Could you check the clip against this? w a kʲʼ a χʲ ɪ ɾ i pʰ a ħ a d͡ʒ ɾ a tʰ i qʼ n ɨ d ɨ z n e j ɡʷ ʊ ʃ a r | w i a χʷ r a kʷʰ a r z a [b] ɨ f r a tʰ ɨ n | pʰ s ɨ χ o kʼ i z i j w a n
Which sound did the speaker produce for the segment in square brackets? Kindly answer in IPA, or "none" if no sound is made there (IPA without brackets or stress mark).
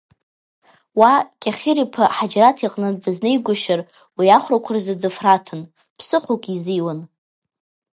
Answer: d